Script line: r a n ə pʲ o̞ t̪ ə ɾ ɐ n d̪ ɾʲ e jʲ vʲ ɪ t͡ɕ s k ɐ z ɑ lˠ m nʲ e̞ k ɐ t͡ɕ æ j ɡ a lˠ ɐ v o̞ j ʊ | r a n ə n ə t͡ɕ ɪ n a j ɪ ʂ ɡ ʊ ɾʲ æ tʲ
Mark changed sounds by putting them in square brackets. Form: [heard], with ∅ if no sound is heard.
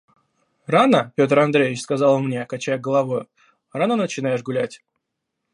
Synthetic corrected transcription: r a n ə pʲ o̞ t̪ ə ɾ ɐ n d̪ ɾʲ e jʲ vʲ ɪ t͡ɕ s k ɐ z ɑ lˠ m nʲ e̞ k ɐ t͡ɕ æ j ɡ [ə] lˠ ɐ v o̞ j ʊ | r a n ə n ə t͡ɕ ɪ n a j ɪ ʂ ɡ ʊ [lʲ] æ tʲ